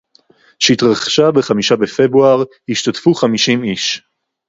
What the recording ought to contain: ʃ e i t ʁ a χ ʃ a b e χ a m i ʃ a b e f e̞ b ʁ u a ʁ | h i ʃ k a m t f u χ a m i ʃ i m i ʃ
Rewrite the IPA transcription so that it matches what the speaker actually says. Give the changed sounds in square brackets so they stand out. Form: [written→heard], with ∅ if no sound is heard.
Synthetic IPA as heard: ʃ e i t ʁ a χ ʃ a b e χ a m i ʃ a b e f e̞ b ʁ u a ʁ | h i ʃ [k→t] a [m→∅] t f u χ a m i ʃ i m i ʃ